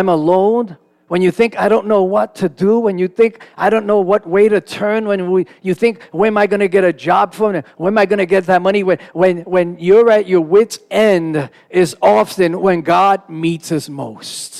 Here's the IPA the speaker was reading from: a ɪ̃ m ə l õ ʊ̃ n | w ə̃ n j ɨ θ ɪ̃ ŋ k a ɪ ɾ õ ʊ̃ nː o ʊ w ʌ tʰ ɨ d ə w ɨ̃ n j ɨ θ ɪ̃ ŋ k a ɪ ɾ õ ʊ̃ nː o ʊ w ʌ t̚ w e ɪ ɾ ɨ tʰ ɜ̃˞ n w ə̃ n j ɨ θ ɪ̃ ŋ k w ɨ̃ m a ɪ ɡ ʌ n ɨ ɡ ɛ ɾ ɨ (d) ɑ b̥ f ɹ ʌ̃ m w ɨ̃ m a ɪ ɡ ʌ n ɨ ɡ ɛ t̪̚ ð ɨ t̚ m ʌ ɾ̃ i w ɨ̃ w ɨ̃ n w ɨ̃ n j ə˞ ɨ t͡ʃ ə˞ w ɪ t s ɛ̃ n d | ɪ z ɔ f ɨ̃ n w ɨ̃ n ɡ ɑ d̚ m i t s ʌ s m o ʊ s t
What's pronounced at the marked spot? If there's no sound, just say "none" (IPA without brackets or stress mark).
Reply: d͡ʒ